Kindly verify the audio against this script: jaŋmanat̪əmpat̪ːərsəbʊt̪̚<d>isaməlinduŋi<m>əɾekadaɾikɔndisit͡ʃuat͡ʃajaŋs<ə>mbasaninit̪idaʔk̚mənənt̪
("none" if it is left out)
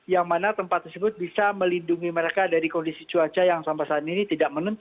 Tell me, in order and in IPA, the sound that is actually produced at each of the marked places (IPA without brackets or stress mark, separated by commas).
b, m, a